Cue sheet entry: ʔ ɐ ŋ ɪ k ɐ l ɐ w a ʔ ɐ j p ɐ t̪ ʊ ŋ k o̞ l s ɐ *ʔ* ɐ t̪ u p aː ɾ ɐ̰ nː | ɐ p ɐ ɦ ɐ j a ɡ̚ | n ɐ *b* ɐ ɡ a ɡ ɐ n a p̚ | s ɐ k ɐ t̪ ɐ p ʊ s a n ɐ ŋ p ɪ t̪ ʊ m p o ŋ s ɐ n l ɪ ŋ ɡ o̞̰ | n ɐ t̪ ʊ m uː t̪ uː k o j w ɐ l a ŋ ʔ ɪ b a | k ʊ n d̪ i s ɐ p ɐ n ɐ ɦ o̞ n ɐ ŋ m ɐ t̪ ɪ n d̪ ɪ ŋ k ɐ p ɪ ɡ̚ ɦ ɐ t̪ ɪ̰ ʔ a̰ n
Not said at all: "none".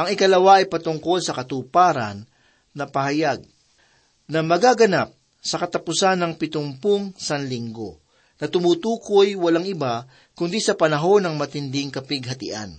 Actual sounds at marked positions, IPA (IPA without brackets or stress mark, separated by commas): k, m